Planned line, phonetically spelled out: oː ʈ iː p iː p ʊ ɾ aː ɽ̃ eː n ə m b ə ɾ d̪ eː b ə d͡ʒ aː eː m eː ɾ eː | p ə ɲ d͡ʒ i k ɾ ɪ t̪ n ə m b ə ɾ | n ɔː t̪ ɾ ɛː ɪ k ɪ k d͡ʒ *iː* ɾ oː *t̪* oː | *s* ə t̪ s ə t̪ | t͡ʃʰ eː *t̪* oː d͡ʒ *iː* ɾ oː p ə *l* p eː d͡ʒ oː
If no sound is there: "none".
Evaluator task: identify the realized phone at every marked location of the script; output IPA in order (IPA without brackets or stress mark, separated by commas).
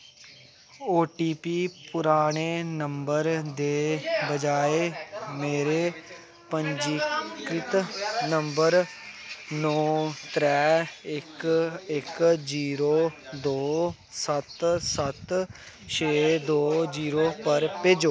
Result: iː, d̪, s, d̪, iː, ɾ